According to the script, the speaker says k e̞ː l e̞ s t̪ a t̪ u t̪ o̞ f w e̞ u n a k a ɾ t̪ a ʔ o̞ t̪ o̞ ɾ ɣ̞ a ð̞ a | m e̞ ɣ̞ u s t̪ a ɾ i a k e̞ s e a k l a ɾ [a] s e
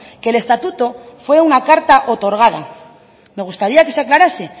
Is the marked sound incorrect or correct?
correct